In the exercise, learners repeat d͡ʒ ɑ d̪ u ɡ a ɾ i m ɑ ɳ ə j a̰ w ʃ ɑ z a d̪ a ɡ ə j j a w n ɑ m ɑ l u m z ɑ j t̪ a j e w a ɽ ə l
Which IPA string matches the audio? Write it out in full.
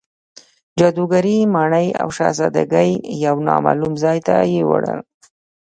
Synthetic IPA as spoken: d͡ʒ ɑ d̪ u ɡ a ɾ i m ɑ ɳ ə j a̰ w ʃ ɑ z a d̪ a ɡ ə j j a w n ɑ m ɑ l u m z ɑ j t̪ a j e w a ɽ ə l